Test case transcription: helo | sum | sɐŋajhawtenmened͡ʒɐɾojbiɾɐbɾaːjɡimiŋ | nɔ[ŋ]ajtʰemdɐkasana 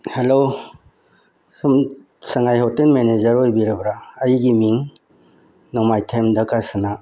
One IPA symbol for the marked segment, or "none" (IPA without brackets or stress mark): m